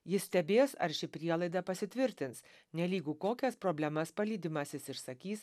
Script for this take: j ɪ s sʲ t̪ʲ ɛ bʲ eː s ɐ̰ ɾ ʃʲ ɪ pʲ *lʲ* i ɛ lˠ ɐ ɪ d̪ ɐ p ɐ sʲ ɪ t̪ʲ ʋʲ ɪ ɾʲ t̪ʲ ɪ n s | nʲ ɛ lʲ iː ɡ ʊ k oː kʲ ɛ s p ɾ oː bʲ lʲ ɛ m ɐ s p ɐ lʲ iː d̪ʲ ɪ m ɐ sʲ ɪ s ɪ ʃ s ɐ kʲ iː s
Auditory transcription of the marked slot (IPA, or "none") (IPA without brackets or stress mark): ɾʲ